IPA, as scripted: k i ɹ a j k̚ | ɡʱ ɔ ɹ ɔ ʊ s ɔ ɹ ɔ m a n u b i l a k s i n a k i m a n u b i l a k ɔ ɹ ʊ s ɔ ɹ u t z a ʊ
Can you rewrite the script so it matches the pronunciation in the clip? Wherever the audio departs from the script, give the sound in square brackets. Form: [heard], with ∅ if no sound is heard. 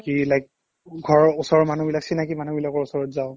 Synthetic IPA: k i [l] a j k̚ | ɡʱ ɔ ɹ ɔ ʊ s ɔ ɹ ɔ m a n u b i l a k s i n a k i m a n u b i l a k ɔ ɹ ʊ s ɔ ɹ [ɔ] t z a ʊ